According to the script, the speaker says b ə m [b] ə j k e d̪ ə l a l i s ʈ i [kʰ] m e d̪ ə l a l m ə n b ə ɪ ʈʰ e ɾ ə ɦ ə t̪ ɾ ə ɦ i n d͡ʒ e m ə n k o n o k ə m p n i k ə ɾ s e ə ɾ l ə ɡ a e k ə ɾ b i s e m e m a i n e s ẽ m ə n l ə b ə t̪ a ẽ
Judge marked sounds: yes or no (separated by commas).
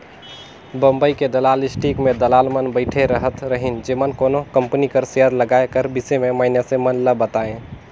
yes, no